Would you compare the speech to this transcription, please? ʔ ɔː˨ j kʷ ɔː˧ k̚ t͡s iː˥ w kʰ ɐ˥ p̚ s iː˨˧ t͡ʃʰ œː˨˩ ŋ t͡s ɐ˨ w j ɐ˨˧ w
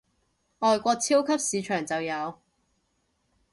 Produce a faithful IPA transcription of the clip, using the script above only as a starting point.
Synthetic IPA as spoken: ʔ ɔː˨ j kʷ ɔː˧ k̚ t͡sʰ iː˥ w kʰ ɐ˥ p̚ s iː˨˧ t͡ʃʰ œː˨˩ ŋ t͡s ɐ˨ w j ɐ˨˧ w